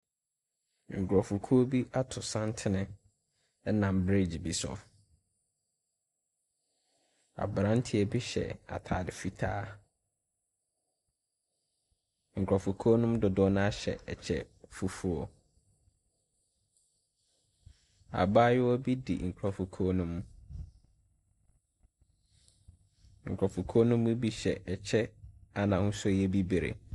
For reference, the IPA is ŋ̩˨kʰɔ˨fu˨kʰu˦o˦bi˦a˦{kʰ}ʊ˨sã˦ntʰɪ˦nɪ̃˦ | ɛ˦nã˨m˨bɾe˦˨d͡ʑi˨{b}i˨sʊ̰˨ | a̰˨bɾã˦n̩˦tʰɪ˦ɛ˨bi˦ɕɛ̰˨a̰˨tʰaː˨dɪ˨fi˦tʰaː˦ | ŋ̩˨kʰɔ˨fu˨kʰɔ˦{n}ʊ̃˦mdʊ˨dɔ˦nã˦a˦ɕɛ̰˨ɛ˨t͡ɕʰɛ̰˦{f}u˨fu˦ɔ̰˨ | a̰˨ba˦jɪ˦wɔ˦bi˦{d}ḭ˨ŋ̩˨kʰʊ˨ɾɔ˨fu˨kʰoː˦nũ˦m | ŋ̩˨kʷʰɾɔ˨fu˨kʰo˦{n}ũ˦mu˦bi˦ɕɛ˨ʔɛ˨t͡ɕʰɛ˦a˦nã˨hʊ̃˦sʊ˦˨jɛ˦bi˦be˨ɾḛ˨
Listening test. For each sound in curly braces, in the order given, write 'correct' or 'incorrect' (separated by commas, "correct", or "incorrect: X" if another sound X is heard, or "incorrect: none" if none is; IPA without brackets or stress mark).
incorrect: tʰ, correct, correct, correct, correct, correct